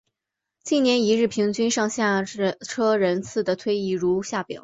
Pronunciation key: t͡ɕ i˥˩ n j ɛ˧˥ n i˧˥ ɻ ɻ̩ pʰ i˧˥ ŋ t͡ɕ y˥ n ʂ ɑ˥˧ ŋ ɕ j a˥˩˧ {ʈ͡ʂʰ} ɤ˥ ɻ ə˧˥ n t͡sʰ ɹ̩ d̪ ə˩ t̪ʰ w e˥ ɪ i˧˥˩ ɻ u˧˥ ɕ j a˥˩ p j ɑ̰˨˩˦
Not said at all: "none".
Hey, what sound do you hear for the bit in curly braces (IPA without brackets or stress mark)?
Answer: ʈ͡ʂʰ